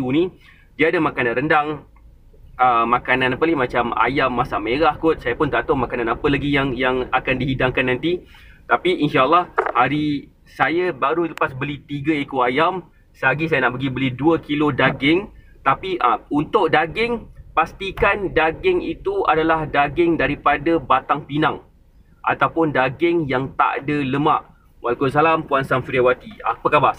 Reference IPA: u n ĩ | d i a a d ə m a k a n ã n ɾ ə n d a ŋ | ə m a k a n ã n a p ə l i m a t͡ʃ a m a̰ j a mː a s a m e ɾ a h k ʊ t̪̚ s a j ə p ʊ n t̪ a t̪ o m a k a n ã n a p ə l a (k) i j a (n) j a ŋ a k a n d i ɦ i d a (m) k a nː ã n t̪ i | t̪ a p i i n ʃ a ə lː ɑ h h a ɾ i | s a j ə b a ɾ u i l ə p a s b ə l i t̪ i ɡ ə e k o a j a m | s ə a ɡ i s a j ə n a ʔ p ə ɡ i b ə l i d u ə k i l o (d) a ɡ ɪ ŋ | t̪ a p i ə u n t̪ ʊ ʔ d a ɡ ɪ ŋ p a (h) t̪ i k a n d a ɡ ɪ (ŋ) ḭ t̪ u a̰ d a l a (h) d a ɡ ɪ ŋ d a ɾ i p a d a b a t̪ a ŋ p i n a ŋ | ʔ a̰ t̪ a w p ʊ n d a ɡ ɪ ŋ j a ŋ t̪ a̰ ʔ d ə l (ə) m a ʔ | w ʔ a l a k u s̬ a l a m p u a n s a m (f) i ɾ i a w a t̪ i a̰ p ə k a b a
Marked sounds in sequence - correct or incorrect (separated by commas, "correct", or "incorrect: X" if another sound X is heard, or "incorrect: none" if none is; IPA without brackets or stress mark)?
incorrect: ɡ, incorrect: ŋ, incorrect: ŋ, correct, incorrect: s, correct, correct, correct, correct